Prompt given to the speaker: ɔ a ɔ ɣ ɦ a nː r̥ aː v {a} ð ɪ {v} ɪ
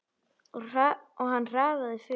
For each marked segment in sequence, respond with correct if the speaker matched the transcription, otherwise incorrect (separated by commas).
correct, incorrect